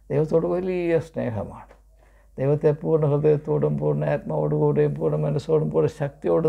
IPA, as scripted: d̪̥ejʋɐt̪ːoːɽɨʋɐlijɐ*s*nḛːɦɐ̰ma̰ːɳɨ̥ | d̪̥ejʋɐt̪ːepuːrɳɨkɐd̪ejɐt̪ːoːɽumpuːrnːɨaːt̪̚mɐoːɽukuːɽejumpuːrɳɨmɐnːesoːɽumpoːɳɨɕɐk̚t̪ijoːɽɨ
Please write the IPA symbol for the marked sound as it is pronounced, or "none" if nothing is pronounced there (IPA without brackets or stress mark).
s